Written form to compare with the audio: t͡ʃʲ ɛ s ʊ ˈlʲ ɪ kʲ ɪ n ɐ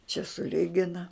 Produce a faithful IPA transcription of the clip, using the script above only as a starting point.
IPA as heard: t͡ʃʲ ɛ s ʊ ˈlʲ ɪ ɡʲ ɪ n ɐ

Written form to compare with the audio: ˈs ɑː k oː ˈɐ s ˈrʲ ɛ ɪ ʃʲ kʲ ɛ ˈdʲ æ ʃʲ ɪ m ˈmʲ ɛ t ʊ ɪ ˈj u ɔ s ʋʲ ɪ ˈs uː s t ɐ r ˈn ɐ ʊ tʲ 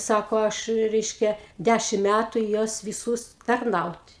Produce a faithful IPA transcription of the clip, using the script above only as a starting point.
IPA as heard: ˈs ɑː k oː ˈɐ ʃ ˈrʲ ɛ ɪ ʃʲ kʲ ɛ ˈdʲ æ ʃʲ ɪ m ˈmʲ æ t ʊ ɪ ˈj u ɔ s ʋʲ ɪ ˈs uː s t ɐ r ˈn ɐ ʊ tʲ

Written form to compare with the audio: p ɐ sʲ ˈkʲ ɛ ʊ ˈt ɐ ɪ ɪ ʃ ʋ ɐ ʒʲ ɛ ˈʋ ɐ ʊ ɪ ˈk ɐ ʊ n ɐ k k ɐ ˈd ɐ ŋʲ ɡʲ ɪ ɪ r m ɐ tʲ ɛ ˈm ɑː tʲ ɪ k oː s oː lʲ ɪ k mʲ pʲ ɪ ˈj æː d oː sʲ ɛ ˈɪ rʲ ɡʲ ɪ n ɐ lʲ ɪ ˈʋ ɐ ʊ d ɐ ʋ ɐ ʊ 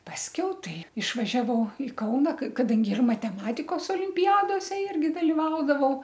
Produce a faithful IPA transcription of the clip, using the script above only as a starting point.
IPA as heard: p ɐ sʲ ˈkʲ ɛ ʊ ˈt ɐ ɪ ɪ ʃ ʋ ɐ ʒʲ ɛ ˈʋ ɐ ʊ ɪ ˈk ɐ ʊ n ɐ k k ɐ ˈd ɐ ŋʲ ɡʲ ɪ ɪ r m ɐ tʲ ɛ ˈm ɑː tʲ ɪ k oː s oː lʲ ɪ mʲ pʲ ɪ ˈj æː d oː sʲ ɛ ˈɪ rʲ ɡʲ ɪ d ɐ lʲ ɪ ˈʋ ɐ ʊ d ɐ ʋ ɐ ʊ

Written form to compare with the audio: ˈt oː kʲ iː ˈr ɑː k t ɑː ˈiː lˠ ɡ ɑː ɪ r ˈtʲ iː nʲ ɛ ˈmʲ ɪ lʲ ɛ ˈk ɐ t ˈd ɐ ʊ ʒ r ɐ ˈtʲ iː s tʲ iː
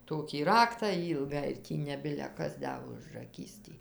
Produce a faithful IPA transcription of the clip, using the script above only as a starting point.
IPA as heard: ˈt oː kʲ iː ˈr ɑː k t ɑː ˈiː lˠ ɡ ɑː ɪ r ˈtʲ iː nʲ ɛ ˈbʲ ɪ lʲ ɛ ˈk ɐ s ˈd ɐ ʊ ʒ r ɐ ˈkʲ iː s tʲ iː

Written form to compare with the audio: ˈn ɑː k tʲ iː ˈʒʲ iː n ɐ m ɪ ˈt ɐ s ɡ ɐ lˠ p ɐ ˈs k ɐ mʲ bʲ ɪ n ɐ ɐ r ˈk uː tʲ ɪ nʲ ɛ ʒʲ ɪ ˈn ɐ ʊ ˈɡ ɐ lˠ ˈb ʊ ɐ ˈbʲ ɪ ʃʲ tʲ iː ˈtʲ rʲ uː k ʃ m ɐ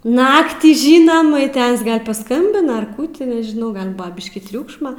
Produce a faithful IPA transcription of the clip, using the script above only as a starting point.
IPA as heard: ˈn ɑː k tʲ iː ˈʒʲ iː n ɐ m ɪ ˈt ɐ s ɡ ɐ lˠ p ɐ ˈs k ɐ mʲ bʲ ɪ n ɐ ɐ r ˈk uː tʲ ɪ nʲ ɛ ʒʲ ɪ ˈn ɐ ʊ ˈɡ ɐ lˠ ˈb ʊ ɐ ˈbʲ ɪ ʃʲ kʲ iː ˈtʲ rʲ uː k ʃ m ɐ

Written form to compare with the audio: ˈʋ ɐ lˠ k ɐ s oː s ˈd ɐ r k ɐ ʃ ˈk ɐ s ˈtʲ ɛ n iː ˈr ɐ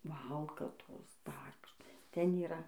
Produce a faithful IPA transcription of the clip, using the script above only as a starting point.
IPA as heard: ˈʋ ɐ lˠ k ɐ t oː s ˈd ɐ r k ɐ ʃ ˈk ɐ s ˈtʲ ɛ n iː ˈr ɐ

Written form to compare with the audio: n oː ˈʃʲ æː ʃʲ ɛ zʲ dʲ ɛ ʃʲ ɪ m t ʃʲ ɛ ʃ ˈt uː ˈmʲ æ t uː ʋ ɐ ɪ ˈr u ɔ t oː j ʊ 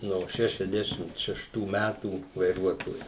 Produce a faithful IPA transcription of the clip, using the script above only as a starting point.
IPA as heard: n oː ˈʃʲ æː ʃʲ ɛ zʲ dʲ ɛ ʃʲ ɪ m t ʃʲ ɛ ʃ ˈt uː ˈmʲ æ t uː ʋ ɐ ɪ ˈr u ɔ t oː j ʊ

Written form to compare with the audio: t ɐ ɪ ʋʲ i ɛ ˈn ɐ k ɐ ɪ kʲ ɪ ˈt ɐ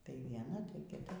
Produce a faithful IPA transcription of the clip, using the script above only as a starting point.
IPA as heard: t ɐ ɪ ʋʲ i ɛ ˈn ɐ t ɐ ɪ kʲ ɪ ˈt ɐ

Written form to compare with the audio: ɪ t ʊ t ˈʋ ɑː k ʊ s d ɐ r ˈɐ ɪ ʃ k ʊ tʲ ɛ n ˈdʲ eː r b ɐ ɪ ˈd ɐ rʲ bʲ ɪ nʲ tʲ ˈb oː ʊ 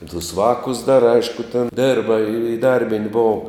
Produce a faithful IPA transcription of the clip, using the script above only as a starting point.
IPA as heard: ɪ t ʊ s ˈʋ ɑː k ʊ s d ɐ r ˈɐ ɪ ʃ k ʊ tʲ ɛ n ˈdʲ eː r b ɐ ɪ ˈd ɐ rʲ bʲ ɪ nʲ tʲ ˈb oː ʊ

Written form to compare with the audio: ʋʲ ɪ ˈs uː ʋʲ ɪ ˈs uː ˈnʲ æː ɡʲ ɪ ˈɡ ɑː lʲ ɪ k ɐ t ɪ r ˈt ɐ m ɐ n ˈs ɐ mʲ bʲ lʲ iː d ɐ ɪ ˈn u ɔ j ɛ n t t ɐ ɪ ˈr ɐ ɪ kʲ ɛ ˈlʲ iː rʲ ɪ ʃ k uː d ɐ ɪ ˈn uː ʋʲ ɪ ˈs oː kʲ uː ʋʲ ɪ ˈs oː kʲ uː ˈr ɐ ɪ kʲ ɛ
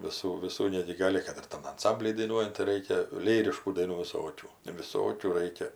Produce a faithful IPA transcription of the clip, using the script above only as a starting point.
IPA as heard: ʋʲ ɪ ˈs uː ʋʲ ɪ ˈs uː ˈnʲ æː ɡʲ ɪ ˈɡ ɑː lʲ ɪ k ɐ t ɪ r ˈt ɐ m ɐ n ˈs ɐ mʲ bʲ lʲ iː d ɐ ɪ ˈn u ɔ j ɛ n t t ɐ ɪ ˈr ɐ ɪ kʲ ɛ ˈlʲ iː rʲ ɪ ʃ k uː d ɐ ɪ ˈn uː ʋʲ ɪ ˈs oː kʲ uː ʋʲ ɪ ˈs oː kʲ uː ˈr ɐ ɪ kʲ ɛ

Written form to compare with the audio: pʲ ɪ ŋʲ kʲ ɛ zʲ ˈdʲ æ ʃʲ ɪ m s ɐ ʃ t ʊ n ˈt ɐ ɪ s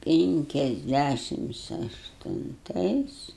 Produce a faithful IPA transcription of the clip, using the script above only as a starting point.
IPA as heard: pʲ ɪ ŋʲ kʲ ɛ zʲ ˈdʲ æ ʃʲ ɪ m s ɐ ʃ t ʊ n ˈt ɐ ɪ s

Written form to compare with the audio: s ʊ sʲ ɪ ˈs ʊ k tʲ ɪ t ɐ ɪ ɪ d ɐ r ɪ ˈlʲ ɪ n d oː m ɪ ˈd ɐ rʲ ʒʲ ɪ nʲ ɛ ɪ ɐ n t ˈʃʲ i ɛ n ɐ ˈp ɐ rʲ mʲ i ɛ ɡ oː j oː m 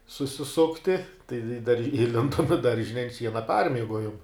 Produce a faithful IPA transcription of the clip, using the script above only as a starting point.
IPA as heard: s ʊ sʲ ɪ ˈs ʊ k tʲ ɪ t ɐ ɪ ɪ d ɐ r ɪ ˈlʲ ɪ n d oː m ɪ ˈd ɐ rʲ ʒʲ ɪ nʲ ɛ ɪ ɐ n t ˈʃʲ i ɛ n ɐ ˈp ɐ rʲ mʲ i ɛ ɡ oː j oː m

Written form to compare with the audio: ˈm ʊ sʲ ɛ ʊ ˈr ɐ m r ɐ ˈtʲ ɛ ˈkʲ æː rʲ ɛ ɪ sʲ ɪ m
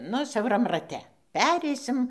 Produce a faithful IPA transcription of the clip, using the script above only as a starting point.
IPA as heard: ˈn ʊ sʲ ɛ ʊ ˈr ɐ m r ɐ ˈtʲ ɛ ˈpʲ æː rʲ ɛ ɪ sʲ ɪ m

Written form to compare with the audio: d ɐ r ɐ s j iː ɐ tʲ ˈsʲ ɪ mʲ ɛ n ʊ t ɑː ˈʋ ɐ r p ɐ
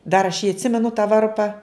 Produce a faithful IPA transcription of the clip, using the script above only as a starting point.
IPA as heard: d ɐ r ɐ ʃ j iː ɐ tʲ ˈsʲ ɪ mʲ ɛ n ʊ t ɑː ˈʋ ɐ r p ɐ

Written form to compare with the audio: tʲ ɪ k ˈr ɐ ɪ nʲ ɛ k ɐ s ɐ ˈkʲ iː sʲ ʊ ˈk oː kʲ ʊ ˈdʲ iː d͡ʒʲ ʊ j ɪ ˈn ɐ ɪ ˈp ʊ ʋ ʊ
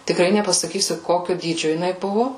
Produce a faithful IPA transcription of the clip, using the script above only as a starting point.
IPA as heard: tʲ ɪ k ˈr ɐ ɪ nʲ ɛ p ɐ s ɐ ˈkʲ iː sʲ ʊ ˈk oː kʲ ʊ ˈdʲ iː d͡ʒʲ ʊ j ɪ ˈn ɐ ɪ ˈb ʊ ʋ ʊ

